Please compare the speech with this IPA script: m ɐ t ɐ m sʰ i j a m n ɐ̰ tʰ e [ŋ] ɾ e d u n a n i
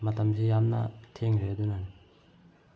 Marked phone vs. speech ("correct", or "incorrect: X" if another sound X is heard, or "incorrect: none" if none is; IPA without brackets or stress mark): correct